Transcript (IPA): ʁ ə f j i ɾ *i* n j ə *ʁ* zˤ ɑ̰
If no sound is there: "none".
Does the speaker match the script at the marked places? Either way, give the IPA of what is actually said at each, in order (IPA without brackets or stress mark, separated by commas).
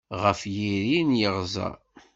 i, ʁ